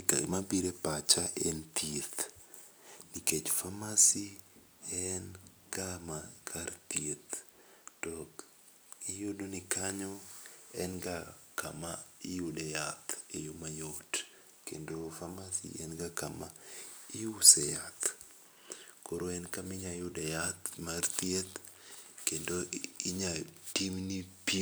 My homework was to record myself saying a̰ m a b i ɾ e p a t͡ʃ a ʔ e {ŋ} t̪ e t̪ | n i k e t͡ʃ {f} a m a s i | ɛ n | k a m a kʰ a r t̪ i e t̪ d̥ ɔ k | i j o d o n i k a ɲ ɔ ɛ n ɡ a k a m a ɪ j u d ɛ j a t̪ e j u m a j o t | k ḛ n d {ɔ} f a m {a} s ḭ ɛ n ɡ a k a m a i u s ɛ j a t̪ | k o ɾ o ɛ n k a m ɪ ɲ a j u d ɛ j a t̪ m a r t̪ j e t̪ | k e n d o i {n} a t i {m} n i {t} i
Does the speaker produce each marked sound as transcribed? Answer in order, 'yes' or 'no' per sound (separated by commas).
no, yes, no, yes, no, yes, no